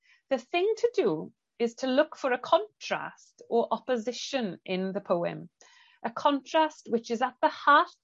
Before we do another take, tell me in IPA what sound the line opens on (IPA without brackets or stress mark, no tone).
ð